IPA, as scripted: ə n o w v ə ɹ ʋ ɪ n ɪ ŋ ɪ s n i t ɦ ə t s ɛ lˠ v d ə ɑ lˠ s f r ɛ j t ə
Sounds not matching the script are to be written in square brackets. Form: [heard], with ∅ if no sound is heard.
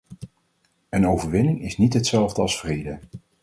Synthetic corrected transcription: ə n o w v ə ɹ ʋ ɪ n ɪ ŋ ɪ s n i t ɦ ə t s ɛ lˠ v d ə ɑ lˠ s f r [e] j [d] ə